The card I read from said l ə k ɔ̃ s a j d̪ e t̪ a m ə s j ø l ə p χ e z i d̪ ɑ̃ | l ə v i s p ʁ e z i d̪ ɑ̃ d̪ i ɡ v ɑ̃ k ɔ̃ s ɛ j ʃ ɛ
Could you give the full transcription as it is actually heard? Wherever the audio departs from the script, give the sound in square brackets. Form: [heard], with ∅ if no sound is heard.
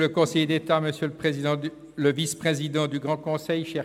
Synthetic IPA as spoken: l ə k ɔ̃ s [ɛ] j d̪ e t̪ a m ə s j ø l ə p χ e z i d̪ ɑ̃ | l ə v i s p [χ] e z i d̪ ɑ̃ d̪ [y] ɡ [ʁ] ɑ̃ k ɔ̃ s ɛ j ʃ ɛ